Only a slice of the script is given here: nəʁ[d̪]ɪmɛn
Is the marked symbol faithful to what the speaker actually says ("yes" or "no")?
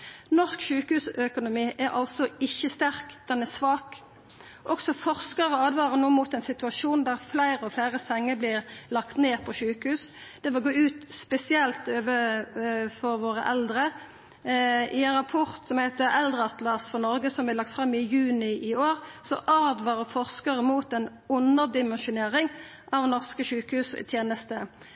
yes